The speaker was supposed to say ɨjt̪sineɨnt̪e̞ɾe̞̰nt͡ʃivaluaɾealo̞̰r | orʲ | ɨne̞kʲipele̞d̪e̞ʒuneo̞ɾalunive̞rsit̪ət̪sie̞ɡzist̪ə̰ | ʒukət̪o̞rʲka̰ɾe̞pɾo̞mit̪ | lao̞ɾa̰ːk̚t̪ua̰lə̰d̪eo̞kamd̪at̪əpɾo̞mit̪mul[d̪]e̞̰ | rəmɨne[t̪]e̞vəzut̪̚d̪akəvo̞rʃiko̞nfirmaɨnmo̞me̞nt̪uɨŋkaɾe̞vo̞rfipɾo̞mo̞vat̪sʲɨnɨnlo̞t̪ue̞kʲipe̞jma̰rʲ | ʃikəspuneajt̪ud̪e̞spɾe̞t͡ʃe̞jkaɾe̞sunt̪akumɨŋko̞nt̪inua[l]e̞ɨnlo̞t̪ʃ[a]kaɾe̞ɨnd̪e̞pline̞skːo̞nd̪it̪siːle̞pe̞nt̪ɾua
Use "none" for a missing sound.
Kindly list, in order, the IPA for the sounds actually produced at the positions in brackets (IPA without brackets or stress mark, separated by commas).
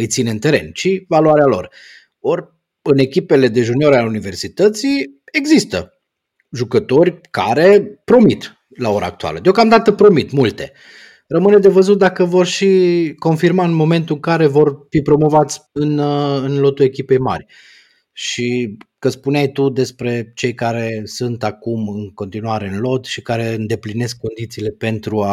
t̪, d̪, ɾ, i